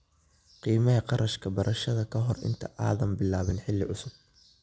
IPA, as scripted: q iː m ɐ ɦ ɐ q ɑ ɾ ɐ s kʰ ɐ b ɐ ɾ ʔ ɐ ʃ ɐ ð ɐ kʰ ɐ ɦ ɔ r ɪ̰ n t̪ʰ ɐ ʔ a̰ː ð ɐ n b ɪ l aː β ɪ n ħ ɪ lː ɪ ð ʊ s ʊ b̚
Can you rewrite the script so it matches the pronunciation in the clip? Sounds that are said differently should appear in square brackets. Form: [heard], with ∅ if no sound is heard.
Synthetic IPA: q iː m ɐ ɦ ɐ q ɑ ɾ ɐ [ʃ] kʰ ɐ b ɐ ɾ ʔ ɐ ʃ ɐ ð ɐ kʰ ɐ ɦ ɔ r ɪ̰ n t̪ʰ ɐ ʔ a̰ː ð ɐ [m] b ɪ l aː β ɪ n ħ ɪ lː ɪ [ʕ] ʊ s ʊ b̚